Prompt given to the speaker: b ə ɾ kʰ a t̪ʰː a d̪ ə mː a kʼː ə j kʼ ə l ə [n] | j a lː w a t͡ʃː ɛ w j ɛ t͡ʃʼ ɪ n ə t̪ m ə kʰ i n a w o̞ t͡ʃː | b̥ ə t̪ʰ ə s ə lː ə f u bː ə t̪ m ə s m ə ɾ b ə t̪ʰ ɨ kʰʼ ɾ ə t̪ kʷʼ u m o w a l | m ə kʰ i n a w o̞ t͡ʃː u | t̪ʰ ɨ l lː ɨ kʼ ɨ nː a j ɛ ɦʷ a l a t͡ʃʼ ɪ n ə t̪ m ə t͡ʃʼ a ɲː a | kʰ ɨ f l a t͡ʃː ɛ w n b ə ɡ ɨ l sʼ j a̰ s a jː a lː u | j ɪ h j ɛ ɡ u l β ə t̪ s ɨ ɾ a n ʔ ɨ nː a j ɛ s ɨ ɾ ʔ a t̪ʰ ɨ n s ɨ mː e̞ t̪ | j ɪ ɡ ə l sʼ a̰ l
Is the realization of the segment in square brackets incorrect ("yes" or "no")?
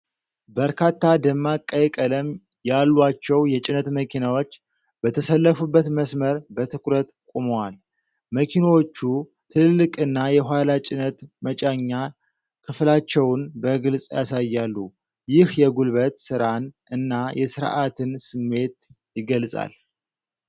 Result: yes